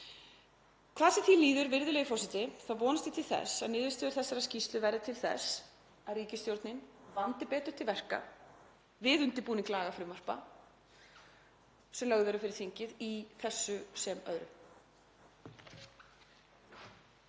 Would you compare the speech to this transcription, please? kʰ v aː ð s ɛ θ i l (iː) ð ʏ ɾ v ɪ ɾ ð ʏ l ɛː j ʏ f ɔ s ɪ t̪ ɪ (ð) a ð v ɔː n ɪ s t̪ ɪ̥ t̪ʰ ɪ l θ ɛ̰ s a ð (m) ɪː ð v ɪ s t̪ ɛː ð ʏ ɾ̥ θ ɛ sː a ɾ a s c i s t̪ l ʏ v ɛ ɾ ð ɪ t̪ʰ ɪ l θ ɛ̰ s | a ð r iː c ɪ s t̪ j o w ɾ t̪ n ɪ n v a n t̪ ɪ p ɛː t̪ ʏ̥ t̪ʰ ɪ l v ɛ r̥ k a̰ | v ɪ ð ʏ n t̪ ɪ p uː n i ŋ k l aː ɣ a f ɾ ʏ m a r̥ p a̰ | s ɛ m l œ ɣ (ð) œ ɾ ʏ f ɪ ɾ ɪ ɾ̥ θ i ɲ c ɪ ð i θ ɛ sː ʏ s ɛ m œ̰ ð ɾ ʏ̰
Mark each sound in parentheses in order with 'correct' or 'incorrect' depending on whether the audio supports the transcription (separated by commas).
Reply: correct, incorrect, incorrect, correct